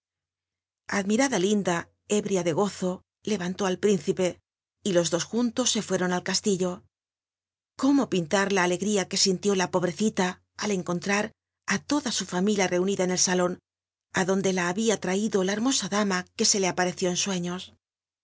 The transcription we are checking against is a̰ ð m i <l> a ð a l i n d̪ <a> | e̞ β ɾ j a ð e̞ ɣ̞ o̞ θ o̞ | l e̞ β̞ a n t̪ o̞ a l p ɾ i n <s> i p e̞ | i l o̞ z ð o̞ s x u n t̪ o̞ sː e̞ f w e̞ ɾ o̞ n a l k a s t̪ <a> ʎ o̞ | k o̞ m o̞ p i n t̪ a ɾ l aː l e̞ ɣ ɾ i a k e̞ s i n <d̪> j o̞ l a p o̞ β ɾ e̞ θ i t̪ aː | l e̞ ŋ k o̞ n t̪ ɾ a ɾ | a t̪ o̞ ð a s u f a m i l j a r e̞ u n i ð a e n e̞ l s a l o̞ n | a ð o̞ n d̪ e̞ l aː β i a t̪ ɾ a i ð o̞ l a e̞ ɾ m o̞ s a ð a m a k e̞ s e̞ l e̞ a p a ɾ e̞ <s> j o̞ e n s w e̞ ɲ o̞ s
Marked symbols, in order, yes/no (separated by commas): no, yes, no, no, no, no